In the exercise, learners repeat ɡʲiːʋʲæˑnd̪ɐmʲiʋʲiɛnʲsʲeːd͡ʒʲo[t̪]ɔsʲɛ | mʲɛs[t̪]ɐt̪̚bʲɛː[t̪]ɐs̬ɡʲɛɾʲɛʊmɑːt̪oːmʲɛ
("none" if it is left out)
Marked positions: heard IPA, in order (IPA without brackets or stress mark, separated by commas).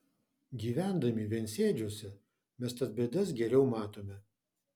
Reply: none, t̪, d̪